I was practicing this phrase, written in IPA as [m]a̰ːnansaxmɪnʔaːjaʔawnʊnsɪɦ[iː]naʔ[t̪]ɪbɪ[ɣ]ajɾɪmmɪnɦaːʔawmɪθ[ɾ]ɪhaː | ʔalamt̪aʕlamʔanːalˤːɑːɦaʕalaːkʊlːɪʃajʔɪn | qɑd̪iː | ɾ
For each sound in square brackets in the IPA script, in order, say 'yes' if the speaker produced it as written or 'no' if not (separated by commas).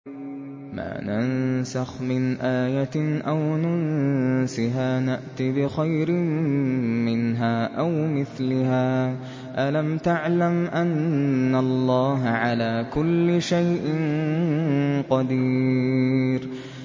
yes, no, yes, no, no